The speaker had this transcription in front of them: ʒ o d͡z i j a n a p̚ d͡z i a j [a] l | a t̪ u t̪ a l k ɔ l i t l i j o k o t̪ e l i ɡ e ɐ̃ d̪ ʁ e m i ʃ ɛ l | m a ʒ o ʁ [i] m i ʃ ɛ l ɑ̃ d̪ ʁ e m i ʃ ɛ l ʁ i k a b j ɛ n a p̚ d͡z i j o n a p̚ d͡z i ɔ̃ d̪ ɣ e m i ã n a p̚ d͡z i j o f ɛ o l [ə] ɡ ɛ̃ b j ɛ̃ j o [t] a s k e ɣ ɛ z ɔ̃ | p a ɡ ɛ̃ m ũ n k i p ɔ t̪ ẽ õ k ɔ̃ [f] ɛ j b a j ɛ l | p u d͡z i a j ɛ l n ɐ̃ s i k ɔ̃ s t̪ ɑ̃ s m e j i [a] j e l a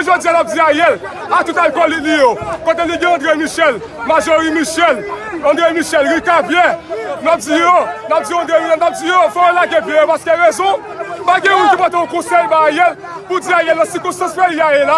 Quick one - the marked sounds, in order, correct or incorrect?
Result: incorrect: ɛ, correct, incorrect: a, incorrect: p, incorrect: s, correct

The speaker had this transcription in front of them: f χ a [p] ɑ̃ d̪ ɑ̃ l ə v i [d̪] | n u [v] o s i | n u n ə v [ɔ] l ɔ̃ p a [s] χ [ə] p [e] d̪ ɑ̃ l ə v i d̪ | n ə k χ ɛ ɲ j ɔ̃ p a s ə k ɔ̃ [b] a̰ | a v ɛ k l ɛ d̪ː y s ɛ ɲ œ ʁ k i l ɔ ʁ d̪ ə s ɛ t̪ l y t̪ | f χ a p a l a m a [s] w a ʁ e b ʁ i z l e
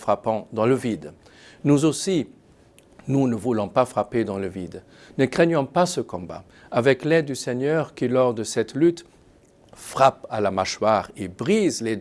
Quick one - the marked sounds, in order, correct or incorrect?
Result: correct, correct, incorrect: z, incorrect: u, incorrect: f, incorrect: a, correct, correct, incorrect: ʃ

